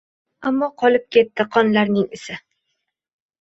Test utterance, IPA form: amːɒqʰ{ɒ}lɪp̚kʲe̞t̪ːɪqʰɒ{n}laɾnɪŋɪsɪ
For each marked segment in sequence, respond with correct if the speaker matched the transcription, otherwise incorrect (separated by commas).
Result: correct, correct